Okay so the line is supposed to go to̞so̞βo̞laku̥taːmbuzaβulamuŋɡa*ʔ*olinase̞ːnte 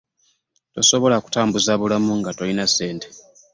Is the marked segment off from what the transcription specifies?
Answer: yes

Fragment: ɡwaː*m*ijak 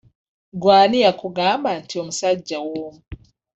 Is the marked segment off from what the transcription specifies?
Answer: yes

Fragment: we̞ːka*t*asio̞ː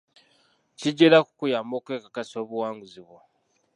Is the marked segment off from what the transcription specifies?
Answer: yes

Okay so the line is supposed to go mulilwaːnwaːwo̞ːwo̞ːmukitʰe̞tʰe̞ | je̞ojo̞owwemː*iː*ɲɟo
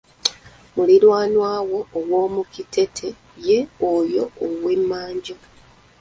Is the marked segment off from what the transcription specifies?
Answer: yes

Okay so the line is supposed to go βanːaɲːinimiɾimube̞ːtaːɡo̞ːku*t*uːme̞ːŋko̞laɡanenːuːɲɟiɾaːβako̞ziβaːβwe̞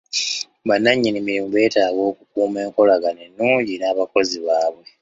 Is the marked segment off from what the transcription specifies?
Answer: yes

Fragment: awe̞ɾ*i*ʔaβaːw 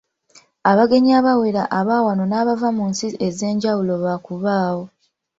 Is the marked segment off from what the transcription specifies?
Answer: yes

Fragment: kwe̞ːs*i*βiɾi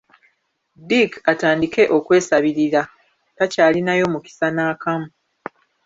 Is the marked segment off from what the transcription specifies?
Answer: yes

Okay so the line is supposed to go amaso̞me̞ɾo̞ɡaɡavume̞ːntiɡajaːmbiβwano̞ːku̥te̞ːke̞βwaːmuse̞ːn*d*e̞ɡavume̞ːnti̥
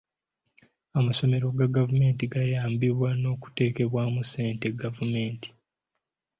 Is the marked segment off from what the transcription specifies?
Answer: yes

